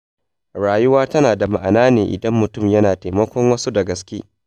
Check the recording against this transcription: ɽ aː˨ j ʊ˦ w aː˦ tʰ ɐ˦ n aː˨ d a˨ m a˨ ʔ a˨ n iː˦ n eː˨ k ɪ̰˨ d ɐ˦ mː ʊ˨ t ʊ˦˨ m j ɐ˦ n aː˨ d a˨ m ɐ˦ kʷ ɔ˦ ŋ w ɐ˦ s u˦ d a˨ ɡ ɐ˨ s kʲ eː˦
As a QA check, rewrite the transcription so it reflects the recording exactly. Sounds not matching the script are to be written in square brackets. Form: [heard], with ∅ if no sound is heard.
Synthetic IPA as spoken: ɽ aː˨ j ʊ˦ w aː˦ [t] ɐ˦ n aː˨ d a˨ m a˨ ʔ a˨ n [aː˦] n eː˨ [ʔ] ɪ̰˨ d ɐ˦ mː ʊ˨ t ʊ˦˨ m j ɐ˦ n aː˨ [t] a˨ m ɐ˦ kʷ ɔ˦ ŋ w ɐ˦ s u˦ d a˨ ɡ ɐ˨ s kʲ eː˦